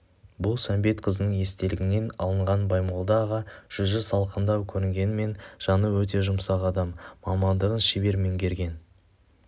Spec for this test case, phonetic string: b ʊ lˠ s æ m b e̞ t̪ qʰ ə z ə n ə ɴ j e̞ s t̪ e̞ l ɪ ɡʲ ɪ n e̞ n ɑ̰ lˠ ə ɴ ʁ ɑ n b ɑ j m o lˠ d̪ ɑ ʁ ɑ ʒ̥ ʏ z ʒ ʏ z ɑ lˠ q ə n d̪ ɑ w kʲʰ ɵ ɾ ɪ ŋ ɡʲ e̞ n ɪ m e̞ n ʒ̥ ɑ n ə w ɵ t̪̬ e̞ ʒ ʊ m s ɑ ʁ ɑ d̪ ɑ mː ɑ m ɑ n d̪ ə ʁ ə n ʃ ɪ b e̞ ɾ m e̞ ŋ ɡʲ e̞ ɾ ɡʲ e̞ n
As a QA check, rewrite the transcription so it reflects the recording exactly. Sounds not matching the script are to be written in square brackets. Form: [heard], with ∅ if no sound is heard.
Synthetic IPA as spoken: b ʊ lˠ s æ m b e̞ t̪ qʰ ə z ə n ə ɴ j e̞ s t̪ e̞ l ɪ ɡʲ ɪ n e̞ n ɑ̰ lˠ ə ɴ ʁ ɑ n b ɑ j m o lˠ d̪ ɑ ʁ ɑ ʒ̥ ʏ z ʒ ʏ z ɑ lˠ q ə n d̪ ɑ w kʲʰ ɵ ɾ ɪ ŋ ɡʲ e̞ n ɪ m e̞ n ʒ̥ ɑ n ə w ɵ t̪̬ e̞ ʒ ʊ m s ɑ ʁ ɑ d̪ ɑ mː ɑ m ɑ n d̪ ə ʁ ə n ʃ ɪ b e̞ ɾ m e̞ ŋ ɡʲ e̞ ɾ ɡʲ e̞ n

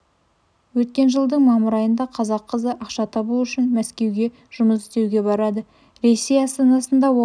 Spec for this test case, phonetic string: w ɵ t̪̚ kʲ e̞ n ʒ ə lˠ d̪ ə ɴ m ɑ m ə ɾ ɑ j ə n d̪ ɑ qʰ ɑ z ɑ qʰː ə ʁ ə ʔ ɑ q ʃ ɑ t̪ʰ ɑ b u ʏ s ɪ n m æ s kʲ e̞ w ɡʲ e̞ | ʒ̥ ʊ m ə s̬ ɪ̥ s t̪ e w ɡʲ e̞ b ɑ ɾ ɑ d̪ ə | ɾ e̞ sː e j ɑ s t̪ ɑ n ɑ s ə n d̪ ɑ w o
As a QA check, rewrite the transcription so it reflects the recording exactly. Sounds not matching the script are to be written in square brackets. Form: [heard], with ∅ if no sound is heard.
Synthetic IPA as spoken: w ɵ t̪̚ kʲ e̞ n ʒ ə lˠ d̪ ə ɴ m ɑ m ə ɾ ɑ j ə n d̪ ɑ qʰ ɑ z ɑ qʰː ə [z] ə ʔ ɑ q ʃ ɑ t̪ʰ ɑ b u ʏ [ʃ] ɪ n m æ s kʲ e̞ w ɡʲ e̞ | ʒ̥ ʊ m ə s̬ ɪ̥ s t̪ e w ɡʲ e̞ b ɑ ɾ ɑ d̪ ə | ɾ e̞ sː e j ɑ s t̪ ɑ n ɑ s ə n d̪ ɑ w o

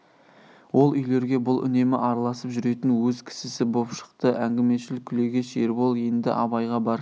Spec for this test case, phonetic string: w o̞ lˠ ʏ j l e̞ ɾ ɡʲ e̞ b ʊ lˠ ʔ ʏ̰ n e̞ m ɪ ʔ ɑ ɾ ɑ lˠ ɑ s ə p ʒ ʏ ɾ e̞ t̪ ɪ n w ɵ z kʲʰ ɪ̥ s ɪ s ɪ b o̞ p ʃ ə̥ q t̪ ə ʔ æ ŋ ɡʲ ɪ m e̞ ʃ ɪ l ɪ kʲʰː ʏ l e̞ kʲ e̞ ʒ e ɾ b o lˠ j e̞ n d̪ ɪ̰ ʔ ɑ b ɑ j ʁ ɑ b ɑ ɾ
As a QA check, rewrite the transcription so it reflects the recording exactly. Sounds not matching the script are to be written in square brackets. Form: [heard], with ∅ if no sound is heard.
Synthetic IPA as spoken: w o̞ lˠ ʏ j l e̞ ɾ ɡʲ e̞ b ʊ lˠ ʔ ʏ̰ n e̞ m ɪ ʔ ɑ ɾ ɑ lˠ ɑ s ə p ʒ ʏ ɾ e̞ t̪ ɪ n w ɵ z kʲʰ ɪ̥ s ɪ s ɪ b o̞ p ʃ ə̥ q t̪ ə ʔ æ ŋ ɡʲ ɪ m e̞ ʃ ɪ l ɪ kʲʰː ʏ l e̞ [ɡʲ] e̞ [ʃ] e ɾ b o lˠ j e̞ n d̪ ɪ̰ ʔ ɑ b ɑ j ʁ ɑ b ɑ ɾ

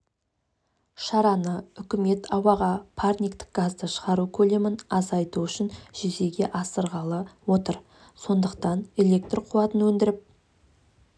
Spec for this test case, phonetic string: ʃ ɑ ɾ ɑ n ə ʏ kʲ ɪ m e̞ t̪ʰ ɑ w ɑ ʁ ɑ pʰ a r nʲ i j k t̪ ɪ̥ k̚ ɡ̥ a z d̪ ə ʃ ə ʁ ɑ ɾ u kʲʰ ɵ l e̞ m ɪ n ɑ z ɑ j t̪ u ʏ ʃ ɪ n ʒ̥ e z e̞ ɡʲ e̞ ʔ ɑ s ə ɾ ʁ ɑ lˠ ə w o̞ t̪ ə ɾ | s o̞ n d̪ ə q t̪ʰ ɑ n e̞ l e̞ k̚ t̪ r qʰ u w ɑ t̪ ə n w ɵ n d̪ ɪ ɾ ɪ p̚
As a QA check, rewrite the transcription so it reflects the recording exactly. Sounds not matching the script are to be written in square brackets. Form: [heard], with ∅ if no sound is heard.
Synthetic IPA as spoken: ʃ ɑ ɾ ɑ n ə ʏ kʲ ɪ m e̞ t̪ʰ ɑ w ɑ ʁ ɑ pʰ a r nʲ i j k t̪ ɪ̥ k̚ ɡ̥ a z d̪ ə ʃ ə ʁ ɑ ɾ u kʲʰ ɵ l e̞ m ɪ n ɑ z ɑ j t̪ u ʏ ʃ ɪ n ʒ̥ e z e̞ ɡʲ e̞ ʔ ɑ s ə ɾ ʁ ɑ lˠ ə w o̞ t̪ ə ɾ | s o̞ n d̪ ə q [t̪] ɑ n e̞ l e̞ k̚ t̪ r qʰ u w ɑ t̪ ə n w ɵ n d̪ ɪ ɾ ɪ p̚

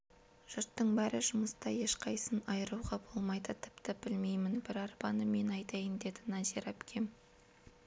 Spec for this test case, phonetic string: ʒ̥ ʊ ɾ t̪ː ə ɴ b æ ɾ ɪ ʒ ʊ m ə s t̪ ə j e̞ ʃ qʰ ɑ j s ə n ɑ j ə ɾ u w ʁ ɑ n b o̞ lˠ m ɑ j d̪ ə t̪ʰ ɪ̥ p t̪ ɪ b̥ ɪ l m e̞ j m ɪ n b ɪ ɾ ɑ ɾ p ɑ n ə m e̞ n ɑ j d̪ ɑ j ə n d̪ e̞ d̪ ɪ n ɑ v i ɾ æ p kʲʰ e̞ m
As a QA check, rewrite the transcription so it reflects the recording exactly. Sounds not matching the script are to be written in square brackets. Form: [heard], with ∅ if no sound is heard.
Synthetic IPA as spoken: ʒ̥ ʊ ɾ t̪ː ə ɴ b æ ɾ ɪ ʒ ʊ m ə s t̪ [ɑ] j e̞ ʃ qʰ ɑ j s ə n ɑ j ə ɾ u w ʁ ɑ [∅] b o̞ lˠ m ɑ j d̪ ə t̪ʰ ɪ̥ p t̪ ɪ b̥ ɪ l m e̞ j m ɪ n b ɪ ɾ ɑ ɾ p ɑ n ə m e̞ n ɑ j [t̪] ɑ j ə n d̪ e̞ d̪ ɪ n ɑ [z] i ɾ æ p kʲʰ e̞ m

